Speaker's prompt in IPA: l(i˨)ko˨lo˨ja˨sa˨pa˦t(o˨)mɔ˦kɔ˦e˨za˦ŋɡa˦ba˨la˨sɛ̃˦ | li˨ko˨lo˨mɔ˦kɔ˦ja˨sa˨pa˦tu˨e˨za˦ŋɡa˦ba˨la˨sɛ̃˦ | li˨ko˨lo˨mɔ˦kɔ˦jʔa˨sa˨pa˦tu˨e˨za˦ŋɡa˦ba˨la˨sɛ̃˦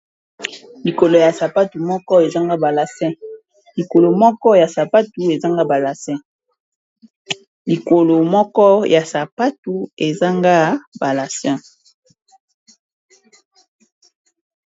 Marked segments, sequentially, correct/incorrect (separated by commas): correct, incorrect